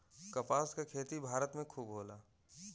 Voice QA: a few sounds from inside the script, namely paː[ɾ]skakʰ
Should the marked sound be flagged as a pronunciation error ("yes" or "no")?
yes